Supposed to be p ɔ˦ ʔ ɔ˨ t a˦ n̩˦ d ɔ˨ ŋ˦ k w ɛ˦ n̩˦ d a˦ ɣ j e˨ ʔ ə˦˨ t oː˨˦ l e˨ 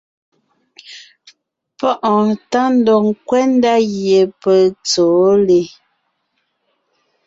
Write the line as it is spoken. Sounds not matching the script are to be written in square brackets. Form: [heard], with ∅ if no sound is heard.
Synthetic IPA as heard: p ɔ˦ ʔ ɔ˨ t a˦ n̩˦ d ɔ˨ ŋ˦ k w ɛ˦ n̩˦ d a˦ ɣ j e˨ [p] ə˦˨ [t͡s] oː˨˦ l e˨